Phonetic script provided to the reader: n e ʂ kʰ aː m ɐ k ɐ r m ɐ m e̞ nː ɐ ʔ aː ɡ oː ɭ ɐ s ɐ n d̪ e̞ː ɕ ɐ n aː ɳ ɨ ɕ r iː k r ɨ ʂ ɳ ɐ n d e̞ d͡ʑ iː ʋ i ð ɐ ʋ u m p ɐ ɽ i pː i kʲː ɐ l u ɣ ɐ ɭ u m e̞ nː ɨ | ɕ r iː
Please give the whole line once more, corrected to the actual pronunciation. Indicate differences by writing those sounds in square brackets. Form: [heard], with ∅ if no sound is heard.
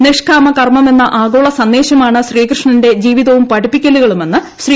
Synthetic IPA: n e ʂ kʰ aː m ɐ k ɐ r m ɐ m e̞ nː ɐ ʔ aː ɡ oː ɭ ɐ s ɐ n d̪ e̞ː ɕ ɐ [m] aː ɳ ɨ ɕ r iː k r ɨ ʂ ɳ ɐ n d e̞ d͡ʑ iː ʋ i ð ɐ ʋ u m p ɐ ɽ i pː i kʲː ɐ l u ɣ ɐ ɭ u m e̞ nː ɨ | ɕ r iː